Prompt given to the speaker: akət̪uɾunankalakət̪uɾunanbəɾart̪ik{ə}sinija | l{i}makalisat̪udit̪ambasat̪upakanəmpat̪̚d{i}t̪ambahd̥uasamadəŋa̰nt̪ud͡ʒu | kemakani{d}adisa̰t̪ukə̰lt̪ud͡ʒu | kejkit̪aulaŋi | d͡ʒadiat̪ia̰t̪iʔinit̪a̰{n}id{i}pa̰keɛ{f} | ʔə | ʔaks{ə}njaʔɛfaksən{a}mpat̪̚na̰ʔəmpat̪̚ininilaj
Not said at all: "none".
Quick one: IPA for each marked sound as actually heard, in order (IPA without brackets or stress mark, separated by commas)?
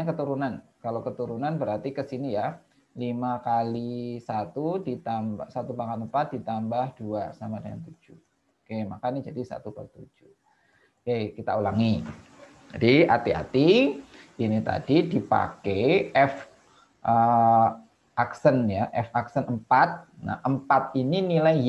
ə, i, i, d͡ʒ, d, i, f, ə, ə